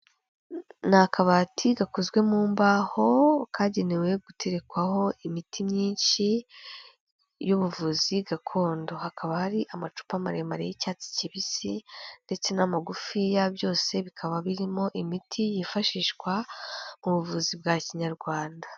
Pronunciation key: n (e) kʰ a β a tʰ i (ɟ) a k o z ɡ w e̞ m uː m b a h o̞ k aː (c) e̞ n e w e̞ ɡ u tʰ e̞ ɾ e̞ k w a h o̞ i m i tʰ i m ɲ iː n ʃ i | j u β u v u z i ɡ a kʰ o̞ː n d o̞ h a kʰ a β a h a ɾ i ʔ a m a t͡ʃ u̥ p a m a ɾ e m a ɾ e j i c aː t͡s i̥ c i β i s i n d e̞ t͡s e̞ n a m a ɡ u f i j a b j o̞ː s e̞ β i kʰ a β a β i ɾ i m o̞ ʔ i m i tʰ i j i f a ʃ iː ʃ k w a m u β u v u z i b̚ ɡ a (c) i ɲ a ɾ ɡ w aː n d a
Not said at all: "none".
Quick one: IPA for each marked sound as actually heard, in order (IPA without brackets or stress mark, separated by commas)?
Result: a, ɡ, ɟ, c